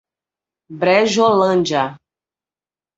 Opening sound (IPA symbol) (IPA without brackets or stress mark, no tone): b